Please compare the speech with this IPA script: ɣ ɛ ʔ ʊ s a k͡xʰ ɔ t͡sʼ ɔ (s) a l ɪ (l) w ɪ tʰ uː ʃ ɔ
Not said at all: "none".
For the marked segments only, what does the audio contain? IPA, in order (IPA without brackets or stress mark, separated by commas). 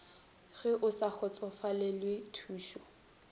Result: f, l